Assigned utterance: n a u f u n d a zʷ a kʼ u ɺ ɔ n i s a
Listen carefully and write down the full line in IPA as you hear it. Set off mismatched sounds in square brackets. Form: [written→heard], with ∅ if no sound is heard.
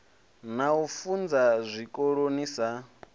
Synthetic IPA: n a u f u n [d→d͡z] a zʷ [a→i] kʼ [u→o] ɺ [ɔ→o] n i s a